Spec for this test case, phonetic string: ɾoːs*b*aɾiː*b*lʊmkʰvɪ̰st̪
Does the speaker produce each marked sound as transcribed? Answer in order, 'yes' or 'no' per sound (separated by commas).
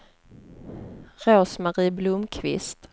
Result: no, yes